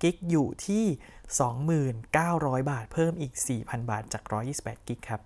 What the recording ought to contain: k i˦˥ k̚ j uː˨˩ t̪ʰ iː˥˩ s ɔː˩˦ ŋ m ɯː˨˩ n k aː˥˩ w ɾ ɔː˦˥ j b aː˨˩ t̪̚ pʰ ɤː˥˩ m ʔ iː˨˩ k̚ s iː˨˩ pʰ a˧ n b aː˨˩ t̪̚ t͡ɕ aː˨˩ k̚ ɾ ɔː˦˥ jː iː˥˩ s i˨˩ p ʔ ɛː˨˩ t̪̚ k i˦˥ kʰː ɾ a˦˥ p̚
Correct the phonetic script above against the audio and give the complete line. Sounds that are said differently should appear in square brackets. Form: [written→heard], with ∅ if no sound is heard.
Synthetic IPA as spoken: k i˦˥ k̚ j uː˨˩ t̪ʰ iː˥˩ s ɔː˩˦ ŋ m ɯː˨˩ n k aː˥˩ w ɾ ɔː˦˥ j b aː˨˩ t̪̚ pʰ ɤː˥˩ m ʔ iː˨˩ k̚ s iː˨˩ pʰ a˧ n b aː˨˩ t̪̚ t͡ɕ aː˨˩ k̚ ɾ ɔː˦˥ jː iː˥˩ s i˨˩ p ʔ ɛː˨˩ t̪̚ k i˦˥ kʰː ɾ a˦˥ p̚